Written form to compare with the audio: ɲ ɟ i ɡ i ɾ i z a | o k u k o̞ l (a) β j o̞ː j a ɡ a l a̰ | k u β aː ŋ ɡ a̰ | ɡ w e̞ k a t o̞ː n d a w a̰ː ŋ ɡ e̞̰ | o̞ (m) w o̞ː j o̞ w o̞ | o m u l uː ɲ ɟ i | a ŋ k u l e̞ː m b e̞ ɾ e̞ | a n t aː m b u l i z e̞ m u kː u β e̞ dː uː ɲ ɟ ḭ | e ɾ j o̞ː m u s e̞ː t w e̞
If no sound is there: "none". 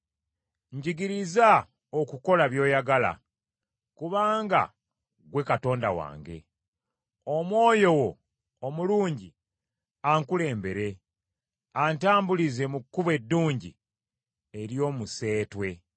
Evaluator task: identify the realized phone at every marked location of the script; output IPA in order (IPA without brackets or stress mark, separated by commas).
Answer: a, m